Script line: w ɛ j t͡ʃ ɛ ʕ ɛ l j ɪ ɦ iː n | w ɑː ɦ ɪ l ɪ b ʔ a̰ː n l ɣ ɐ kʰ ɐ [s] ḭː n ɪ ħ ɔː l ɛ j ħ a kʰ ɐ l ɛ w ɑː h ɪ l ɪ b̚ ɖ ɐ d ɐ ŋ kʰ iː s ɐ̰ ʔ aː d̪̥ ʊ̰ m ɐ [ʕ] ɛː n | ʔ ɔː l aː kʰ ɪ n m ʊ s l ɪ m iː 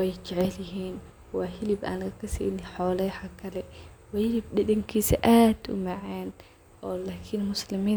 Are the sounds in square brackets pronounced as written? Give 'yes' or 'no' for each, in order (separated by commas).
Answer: yes, yes